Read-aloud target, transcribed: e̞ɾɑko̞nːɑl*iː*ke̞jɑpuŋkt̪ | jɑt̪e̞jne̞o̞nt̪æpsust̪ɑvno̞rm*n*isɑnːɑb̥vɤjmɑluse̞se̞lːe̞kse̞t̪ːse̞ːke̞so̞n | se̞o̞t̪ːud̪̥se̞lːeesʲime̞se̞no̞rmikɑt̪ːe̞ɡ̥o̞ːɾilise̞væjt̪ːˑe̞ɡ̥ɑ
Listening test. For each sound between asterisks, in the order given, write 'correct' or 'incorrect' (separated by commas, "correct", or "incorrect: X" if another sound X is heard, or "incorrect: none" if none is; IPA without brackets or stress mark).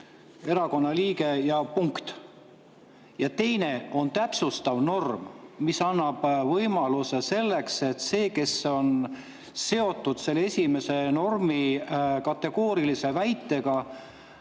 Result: correct, incorrect: m